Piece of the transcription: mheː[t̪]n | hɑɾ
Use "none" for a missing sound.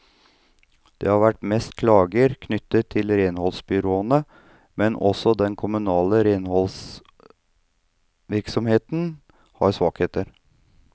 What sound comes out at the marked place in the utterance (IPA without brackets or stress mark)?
t̪